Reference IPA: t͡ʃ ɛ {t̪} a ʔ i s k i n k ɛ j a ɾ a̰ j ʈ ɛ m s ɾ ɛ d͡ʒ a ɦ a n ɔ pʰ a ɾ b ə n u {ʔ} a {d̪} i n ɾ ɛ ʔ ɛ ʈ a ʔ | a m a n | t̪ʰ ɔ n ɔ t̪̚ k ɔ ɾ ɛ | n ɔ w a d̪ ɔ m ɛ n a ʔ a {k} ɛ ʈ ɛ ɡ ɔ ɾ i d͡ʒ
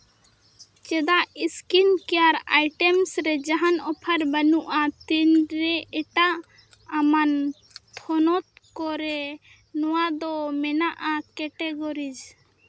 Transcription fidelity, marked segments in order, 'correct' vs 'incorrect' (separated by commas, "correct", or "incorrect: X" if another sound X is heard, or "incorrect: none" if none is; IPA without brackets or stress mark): incorrect: d̪, correct, incorrect: t̪, correct